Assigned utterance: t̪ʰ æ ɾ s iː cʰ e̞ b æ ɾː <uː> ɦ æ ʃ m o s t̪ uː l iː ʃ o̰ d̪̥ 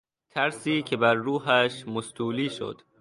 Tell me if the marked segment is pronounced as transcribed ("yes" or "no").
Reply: yes